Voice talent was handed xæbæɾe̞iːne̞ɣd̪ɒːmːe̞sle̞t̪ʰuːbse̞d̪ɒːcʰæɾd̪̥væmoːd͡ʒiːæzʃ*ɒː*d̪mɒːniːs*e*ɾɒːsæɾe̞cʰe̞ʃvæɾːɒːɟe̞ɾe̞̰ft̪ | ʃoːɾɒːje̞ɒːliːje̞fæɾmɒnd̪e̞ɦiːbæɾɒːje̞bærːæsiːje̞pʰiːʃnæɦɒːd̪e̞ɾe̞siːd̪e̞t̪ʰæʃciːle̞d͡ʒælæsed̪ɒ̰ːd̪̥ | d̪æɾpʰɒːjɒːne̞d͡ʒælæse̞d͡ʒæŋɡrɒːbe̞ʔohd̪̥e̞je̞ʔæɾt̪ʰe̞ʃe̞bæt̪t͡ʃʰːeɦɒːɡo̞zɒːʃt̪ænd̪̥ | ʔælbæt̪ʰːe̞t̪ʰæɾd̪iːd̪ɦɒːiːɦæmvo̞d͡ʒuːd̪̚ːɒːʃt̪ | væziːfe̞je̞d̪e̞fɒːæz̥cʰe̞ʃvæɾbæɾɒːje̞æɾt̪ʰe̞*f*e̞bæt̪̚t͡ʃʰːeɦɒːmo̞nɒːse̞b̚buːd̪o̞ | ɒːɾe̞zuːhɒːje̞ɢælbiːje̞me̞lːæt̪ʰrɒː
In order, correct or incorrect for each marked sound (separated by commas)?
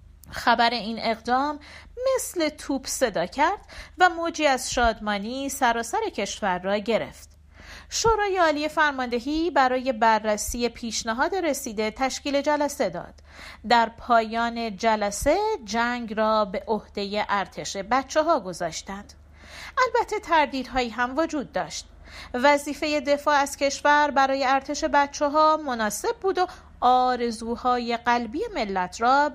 correct, incorrect, incorrect